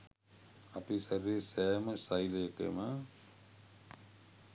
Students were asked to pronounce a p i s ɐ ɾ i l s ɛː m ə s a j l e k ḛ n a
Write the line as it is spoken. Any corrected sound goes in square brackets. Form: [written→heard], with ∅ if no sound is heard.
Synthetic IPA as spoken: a p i s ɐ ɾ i [l→∅] s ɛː m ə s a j l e k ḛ [n→m] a